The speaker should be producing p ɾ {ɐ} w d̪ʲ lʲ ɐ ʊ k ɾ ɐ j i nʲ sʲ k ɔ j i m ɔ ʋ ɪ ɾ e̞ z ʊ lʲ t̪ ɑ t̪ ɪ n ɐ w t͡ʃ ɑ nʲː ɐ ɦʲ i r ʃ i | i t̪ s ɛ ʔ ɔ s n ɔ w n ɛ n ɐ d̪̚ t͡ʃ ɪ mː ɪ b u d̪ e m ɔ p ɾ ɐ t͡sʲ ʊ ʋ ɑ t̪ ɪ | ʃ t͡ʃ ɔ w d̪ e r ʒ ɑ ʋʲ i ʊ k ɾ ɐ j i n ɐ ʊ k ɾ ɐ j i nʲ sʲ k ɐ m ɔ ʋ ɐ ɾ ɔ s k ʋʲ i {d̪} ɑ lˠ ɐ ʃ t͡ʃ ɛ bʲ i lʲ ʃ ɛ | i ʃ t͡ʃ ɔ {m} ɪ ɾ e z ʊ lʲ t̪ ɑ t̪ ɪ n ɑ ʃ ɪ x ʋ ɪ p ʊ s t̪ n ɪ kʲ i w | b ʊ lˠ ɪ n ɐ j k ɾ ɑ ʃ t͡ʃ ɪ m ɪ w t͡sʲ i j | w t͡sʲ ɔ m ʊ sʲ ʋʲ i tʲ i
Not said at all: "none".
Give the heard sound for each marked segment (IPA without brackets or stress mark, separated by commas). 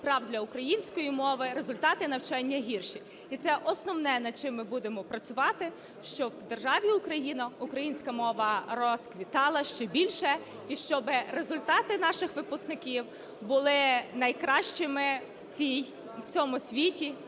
ɑ, t̪, b